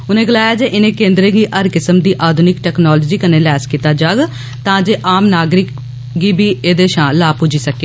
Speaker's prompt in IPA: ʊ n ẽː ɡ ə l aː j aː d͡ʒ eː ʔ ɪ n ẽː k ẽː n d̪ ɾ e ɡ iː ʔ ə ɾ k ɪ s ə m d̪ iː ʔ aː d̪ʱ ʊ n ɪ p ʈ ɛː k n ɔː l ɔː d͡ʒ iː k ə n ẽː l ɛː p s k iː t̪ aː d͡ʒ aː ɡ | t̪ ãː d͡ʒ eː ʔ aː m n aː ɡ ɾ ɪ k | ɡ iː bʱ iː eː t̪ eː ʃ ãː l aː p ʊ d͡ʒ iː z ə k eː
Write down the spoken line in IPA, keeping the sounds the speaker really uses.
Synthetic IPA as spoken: ʊ n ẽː ɡ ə l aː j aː d͡ʒ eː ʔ ɪ n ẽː k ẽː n d̪ ɾ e ɡ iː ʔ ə ɾ k ɪ s ə m d̪ iː ʔ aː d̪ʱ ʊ n ɪ k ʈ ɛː k n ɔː l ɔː d͡ʒ iː k ə n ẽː l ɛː s k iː t̪ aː d͡ʒ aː ɡ | t̪ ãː d͡ʒ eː ʔ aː m n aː ɡ ɾ ɪ k | ɡ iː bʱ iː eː d̪ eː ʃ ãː l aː p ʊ d͡ʒ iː s ə k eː